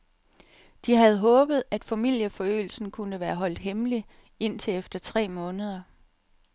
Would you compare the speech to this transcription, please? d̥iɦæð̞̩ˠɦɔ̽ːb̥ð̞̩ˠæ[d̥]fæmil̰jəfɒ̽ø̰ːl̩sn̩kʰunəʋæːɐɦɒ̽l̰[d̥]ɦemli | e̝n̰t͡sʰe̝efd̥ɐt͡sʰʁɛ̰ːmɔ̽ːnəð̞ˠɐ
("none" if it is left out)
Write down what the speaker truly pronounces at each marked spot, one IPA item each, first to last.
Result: d̥, d̥

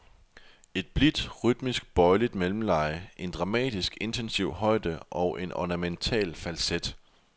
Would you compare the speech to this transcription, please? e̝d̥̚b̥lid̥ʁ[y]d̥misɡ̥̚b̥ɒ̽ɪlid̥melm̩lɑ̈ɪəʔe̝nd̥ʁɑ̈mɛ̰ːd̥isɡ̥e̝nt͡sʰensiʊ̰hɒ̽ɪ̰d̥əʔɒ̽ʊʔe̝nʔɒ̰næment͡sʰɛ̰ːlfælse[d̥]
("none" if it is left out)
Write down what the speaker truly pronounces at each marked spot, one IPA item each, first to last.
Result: y, d̥

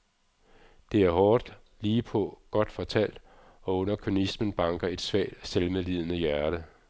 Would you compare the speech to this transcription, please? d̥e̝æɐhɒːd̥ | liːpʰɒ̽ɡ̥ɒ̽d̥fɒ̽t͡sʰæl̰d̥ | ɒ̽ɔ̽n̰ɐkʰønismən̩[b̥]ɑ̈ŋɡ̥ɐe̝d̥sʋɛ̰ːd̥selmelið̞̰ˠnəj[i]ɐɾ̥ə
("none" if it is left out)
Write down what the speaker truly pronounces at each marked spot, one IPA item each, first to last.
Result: b̥, æ

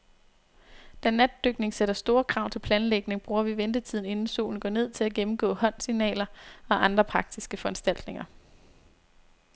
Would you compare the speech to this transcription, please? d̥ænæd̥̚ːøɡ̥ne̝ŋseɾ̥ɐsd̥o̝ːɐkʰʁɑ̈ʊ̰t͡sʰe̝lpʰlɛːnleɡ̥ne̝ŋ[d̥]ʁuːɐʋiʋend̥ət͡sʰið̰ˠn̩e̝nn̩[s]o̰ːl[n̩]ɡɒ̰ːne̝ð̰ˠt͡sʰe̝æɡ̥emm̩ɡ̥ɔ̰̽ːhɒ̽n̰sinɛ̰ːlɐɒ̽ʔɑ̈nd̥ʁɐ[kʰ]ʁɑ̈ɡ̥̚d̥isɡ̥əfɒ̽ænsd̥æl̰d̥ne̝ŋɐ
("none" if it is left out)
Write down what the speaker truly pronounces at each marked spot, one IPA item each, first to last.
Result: b̥, s, n̩, pʰ

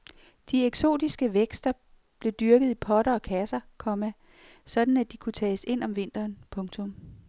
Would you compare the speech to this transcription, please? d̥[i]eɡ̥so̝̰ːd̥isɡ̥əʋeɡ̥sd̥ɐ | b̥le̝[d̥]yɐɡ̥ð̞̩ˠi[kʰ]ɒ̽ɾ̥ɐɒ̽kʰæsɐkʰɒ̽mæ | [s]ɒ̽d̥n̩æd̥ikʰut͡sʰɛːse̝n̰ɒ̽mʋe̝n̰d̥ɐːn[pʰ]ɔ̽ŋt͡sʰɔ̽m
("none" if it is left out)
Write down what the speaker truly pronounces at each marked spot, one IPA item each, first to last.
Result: i, d̥, pʰ, s, pʰ

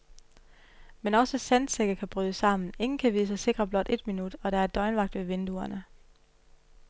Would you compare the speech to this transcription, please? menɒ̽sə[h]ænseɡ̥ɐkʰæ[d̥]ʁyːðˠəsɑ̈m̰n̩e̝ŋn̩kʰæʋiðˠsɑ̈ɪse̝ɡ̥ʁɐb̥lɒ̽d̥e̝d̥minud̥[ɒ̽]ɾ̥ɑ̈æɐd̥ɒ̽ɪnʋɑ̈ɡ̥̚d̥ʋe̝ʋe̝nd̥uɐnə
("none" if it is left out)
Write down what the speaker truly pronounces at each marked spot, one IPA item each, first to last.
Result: s, b̥, ɒ̽

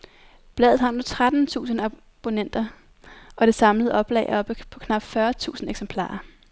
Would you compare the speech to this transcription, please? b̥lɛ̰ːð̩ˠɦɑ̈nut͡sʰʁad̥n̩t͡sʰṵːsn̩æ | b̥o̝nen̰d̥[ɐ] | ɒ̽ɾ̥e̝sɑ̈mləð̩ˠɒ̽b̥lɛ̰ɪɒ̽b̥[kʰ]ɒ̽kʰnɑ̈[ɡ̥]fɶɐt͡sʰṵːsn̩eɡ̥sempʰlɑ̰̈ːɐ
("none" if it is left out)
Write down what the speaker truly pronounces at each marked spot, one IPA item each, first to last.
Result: ɐ, pʰ, b̥

